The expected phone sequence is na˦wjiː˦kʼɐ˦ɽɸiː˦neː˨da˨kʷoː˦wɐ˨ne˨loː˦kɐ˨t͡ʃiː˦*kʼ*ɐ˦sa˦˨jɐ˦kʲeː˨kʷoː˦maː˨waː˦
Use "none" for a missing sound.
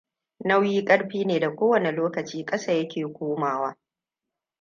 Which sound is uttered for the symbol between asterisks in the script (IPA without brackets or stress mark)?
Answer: kʼ